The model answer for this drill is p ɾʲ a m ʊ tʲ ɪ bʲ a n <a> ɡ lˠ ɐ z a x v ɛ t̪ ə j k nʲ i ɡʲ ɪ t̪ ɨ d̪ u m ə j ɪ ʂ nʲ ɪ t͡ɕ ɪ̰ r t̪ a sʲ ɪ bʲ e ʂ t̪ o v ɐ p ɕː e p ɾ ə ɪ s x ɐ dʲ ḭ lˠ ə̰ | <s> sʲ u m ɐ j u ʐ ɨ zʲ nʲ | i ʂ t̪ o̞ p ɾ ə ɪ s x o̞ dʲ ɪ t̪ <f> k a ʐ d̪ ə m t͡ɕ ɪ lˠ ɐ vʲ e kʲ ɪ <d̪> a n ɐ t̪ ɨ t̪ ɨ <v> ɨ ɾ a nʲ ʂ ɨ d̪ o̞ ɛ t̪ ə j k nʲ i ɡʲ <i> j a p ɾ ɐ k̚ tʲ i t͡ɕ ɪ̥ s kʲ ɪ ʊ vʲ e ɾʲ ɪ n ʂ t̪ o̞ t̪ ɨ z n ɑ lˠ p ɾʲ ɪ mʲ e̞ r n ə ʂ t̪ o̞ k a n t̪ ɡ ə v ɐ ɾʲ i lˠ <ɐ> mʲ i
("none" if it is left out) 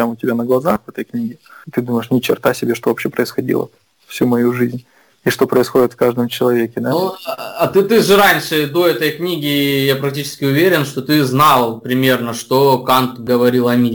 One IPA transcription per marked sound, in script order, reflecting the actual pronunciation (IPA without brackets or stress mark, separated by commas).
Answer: ə, f, f, d̪, ʐ, ɪ, ɐ